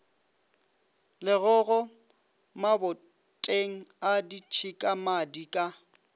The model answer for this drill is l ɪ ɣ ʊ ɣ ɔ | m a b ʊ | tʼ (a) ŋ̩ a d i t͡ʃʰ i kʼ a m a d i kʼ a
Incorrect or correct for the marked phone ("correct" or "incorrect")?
incorrect